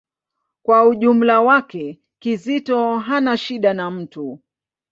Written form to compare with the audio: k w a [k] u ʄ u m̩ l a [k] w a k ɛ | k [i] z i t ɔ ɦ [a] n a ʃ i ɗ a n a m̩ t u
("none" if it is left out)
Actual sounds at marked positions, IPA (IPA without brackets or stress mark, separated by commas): none, none, i, a